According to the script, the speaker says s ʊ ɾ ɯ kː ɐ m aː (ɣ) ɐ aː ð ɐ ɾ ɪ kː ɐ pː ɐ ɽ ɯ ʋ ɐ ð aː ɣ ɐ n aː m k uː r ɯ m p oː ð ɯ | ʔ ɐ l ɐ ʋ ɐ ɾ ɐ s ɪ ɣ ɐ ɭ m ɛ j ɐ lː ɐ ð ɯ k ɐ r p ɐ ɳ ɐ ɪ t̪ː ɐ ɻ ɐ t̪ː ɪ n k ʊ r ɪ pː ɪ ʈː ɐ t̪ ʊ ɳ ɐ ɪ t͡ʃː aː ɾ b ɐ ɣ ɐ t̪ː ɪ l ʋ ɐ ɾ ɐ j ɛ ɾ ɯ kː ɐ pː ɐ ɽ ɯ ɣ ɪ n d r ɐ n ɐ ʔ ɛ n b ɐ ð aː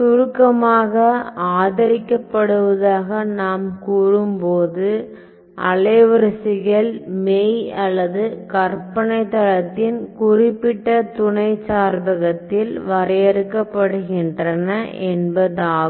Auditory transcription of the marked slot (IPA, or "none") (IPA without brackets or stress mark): ɣ